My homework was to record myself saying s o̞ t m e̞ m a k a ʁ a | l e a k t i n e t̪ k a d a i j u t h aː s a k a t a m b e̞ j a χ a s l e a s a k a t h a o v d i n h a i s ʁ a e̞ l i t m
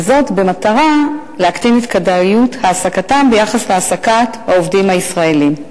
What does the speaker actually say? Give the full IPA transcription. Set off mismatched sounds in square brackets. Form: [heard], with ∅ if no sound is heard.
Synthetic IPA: [z] o̞ t [b] e̞ m a [t] a ʁ a | l e a k t i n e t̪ k a d a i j u t h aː s a k a t a m b e̞ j a χ a s l e a s a k a t h a o v d i [m] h a i s ʁ a e̞ l i [∅] m